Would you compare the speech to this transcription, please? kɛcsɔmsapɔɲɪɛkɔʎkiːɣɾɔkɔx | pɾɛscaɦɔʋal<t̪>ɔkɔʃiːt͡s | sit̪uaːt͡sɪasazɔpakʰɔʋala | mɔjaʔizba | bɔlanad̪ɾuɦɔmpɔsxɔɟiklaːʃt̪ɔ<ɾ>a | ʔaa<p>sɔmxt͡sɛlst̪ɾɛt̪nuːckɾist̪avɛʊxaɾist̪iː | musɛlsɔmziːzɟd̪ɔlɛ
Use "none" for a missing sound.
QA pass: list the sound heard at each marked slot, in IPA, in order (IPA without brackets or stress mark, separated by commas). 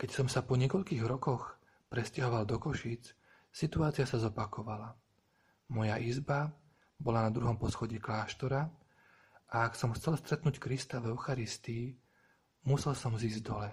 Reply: d̪, ɾ, k